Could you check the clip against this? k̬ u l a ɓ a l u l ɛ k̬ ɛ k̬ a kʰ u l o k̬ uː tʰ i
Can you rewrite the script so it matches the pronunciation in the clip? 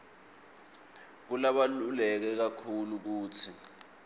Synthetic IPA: k̬ u l a ɓ a l u l ɛ k̬ ɛ k̬ a kʰ u l u k̬ uː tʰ i